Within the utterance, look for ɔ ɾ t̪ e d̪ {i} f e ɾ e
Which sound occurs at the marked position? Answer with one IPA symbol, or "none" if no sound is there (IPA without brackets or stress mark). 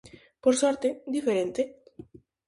i